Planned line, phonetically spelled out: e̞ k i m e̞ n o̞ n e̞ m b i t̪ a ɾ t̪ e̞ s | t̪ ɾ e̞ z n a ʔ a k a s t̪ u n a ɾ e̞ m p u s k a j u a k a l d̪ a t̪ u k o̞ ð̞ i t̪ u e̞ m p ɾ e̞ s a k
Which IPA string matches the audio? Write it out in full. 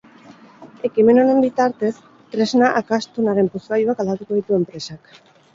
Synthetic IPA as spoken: e̞ k i m e̞ n o̞ n e̞ m b i t̪ a ɾ t̪ e̞ s | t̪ ɾ e̞ z n a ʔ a k a s t̪ u n a ɾ e̞ m p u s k a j u a k a l d̪ a t̪ u k o̞ ð̞ i t̪ u e̞ m p ɾ e̞ s a k